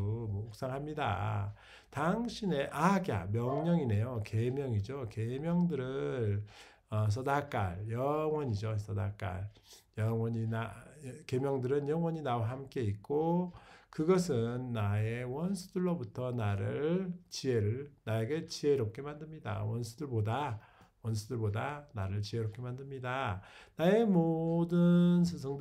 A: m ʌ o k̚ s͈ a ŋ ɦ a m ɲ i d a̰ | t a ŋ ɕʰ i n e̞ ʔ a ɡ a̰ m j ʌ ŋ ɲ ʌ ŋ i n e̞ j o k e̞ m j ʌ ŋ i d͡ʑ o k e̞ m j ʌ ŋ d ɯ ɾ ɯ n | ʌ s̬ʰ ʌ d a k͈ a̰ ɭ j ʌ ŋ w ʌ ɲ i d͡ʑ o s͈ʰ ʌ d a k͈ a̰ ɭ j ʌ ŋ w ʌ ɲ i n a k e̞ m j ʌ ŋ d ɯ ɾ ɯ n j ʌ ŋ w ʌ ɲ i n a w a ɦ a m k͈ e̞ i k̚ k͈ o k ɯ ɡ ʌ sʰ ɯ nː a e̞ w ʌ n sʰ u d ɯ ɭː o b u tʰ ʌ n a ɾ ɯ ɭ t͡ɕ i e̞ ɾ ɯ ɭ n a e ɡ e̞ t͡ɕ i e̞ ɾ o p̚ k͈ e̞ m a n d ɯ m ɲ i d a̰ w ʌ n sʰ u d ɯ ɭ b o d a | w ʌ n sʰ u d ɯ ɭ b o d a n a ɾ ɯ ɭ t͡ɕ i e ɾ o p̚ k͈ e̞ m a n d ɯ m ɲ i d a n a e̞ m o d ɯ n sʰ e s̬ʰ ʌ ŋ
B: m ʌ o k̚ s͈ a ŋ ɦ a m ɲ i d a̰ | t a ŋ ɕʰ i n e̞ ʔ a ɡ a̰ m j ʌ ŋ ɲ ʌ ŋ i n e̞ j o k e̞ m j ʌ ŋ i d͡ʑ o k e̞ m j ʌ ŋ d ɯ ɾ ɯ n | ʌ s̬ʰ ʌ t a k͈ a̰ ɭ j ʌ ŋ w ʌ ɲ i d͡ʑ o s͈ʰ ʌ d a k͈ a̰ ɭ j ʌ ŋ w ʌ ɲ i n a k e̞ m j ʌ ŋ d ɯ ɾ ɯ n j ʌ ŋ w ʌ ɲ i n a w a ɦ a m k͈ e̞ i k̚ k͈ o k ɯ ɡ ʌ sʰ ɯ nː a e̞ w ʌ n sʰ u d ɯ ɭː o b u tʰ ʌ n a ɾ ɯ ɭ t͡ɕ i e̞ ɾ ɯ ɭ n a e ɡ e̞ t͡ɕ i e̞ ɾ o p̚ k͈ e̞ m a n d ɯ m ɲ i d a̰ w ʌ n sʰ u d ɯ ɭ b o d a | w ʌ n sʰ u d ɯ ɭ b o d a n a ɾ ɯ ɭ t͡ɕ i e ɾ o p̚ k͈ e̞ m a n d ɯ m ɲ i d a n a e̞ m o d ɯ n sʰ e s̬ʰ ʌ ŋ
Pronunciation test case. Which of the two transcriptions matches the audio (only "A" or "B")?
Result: A